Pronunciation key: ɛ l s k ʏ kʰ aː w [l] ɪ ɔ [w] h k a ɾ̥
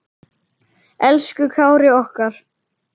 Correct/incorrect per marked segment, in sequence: incorrect, incorrect

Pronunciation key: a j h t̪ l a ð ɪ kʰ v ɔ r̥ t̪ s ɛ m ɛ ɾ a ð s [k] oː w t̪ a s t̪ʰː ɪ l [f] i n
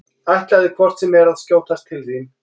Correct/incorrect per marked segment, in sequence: incorrect, incorrect

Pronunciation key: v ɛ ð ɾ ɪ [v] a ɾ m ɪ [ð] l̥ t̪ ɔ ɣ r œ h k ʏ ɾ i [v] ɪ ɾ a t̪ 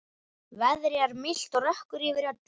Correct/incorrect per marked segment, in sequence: incorrect, incorrect, correct

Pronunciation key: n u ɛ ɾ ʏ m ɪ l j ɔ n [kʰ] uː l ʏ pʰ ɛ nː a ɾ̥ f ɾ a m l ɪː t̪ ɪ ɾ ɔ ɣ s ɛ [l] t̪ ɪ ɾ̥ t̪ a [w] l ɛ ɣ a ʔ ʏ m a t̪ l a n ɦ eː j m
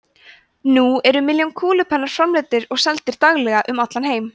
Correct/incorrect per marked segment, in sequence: correct, correct, incorrect

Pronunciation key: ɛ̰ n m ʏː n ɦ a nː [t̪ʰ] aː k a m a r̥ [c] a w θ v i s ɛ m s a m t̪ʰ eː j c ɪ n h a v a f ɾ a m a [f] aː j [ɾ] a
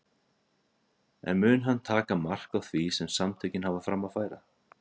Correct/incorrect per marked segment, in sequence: correct, incorrect, correct, correct

